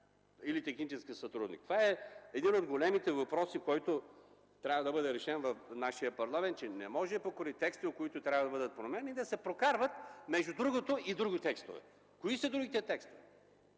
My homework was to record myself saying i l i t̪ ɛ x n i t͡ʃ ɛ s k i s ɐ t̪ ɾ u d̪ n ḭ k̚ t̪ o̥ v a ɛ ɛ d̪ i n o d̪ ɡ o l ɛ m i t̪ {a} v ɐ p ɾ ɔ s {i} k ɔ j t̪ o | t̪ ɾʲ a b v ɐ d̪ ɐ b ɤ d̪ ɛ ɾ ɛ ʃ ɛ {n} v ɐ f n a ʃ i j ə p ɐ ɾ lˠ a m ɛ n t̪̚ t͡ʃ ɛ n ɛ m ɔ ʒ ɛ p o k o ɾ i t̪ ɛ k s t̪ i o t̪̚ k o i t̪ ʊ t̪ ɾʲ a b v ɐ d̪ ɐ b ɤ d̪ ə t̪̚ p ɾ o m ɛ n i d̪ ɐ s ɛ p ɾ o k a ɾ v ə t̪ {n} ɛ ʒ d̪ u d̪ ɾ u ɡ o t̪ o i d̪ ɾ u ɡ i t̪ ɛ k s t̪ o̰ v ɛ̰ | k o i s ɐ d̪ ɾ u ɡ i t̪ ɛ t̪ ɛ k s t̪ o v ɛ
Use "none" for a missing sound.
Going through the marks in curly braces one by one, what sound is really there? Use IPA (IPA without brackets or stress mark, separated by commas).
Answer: ɛ, i, n, m